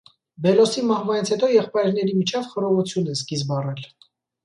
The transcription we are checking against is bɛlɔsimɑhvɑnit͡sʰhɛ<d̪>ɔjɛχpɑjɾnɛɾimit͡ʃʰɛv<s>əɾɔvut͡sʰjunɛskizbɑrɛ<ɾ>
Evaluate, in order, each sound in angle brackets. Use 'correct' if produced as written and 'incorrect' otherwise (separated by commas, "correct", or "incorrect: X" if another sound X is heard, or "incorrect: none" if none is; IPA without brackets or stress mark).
incorrect: t̪, incorrect: χ, incorrect: l